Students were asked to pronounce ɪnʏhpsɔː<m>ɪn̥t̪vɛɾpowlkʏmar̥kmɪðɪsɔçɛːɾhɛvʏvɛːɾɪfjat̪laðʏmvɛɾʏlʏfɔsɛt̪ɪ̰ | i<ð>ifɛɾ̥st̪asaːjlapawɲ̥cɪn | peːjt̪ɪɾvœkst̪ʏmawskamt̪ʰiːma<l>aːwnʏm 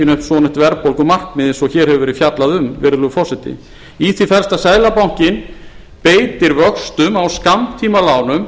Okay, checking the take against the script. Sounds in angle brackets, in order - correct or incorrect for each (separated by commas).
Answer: incorrect, incorrect, correct